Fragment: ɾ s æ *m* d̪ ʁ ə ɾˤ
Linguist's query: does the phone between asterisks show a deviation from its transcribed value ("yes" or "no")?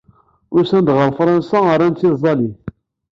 yes